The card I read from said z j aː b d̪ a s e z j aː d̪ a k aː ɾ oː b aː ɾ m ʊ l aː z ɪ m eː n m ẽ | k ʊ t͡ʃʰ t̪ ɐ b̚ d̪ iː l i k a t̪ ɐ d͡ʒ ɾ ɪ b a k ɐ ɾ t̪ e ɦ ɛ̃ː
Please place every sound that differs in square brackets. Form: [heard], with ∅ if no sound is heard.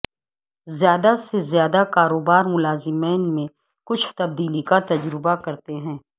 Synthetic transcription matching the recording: z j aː [∅] d̪ a s e z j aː d̪ a k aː ɾ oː b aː ɾ m ʊ l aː z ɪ m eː n m ẽ | k ʊ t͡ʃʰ t̪ ɐ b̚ d̪ iː l i k a t̪ ɐ d͡ʒ ɾ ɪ b a k ɐ ɾ t̪ e ɦ ɛ̃ː